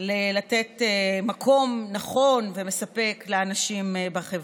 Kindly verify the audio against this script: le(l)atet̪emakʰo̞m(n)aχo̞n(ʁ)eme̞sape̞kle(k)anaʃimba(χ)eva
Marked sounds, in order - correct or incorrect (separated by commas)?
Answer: correct, correct, incorrect, incorrect, correct